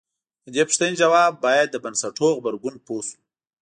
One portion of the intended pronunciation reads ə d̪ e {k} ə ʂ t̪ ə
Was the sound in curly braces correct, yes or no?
no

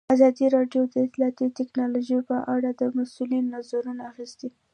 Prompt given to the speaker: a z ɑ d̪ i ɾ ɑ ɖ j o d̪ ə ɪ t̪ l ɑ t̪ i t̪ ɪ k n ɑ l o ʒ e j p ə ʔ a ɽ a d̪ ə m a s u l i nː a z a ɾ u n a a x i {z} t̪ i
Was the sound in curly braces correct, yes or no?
no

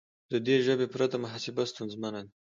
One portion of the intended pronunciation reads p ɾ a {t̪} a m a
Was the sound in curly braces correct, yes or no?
yes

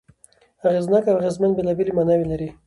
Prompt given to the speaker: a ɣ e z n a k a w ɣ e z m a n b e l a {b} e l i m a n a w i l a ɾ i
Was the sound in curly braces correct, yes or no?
yes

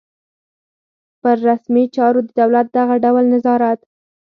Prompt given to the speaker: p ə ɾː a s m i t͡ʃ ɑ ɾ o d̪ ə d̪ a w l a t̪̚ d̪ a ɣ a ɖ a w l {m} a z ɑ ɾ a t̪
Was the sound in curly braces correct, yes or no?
no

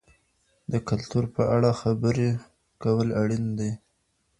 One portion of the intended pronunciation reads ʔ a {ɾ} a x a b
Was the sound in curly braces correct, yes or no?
no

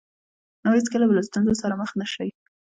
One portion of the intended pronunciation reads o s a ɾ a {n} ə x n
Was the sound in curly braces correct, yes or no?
no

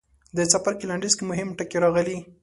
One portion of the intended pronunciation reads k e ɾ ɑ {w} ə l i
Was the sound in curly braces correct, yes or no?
no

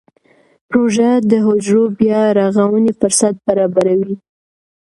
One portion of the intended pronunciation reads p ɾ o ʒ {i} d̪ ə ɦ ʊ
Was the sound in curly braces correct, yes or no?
no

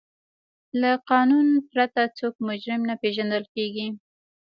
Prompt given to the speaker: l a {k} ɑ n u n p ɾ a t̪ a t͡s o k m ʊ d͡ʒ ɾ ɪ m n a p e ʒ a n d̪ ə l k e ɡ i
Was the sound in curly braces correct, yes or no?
no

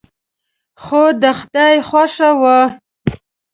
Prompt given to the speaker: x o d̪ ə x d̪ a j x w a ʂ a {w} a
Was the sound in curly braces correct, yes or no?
yes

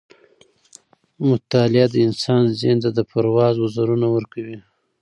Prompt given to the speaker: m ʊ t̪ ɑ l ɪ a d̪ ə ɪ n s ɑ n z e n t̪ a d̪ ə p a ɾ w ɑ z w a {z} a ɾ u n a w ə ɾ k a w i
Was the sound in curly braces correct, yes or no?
yes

